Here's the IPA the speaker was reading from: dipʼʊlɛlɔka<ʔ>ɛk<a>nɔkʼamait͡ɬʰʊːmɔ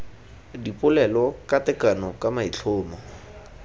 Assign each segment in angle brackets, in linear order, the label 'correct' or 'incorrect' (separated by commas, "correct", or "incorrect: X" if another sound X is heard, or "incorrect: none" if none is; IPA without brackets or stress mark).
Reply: incorrect: t, correct